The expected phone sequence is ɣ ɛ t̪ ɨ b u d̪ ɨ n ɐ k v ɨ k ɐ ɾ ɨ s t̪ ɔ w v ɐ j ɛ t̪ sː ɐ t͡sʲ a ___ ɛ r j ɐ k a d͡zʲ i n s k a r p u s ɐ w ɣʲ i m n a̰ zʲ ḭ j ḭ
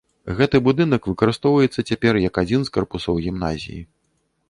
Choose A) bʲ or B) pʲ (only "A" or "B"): B